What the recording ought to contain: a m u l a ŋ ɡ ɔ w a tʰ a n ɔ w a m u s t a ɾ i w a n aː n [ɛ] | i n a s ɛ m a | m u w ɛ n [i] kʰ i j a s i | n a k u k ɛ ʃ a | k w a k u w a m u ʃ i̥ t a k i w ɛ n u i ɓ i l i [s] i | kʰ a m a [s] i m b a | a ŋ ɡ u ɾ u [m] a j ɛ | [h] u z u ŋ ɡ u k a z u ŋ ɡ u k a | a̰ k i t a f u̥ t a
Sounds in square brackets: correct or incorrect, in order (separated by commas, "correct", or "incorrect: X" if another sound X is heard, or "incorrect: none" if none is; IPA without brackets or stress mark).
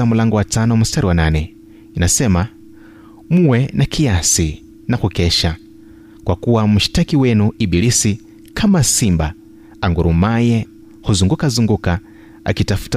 correct, incorrect: a, correct, correct, correct, correct